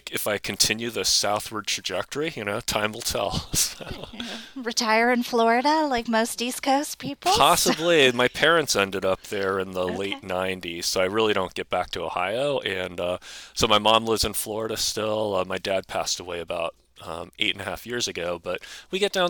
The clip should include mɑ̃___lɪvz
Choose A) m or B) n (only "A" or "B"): A